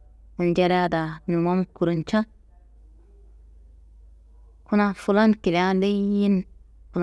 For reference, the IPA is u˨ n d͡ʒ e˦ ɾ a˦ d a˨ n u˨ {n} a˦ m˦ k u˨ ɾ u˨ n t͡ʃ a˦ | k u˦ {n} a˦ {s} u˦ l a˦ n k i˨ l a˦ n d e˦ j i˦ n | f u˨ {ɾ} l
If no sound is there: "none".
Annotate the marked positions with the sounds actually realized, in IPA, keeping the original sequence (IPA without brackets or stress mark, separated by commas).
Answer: m, n, f, none